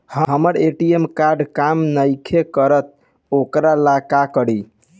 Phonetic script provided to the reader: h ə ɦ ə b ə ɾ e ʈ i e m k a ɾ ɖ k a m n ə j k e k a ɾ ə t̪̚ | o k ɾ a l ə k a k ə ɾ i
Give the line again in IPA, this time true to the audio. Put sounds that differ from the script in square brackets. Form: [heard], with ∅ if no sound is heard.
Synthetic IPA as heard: h ə ɦ ə [m] ə ɾ e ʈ i e m k a ɾ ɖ k a m n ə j [kʰ] e k [ə] ɾ ə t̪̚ | o k ɾ a l [a] k a k ə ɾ i